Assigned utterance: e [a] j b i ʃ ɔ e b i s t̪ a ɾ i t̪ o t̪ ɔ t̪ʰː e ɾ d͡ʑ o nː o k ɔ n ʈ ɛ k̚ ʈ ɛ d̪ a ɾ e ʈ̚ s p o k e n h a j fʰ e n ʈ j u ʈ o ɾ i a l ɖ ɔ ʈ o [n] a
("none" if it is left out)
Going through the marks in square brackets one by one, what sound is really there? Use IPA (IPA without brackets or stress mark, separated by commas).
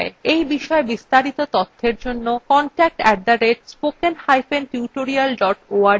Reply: e, none